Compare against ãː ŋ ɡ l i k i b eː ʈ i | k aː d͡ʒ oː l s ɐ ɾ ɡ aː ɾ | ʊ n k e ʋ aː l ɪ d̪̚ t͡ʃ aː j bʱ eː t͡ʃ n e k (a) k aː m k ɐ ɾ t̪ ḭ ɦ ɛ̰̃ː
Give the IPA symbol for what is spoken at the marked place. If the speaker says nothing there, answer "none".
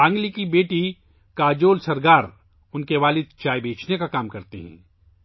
a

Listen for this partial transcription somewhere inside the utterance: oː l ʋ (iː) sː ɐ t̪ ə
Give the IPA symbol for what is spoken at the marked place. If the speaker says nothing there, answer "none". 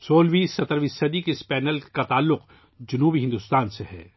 iː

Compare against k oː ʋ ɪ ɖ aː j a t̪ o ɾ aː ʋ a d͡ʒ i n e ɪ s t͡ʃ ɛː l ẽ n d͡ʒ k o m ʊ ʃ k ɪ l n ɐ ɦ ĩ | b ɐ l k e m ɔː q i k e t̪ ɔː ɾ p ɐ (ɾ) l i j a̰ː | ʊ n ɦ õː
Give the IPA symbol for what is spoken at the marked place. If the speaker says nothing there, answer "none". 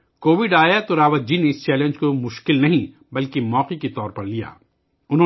ɾ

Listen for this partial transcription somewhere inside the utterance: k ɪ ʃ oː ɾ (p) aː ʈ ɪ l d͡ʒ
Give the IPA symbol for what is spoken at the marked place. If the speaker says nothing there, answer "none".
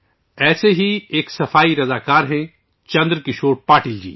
p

